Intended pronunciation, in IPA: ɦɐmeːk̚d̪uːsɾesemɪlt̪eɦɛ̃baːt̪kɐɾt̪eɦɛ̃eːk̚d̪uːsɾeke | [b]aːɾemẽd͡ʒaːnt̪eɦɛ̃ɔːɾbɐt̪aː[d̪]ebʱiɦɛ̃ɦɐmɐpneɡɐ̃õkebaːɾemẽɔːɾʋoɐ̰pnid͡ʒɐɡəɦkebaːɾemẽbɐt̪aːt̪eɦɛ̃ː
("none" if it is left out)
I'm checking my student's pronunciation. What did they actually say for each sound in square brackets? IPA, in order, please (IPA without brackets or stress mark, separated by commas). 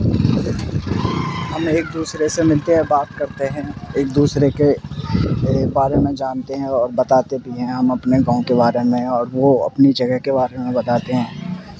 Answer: b, t̪